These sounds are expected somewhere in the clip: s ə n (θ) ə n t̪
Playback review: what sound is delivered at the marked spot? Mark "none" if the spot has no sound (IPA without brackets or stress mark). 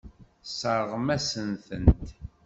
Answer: θ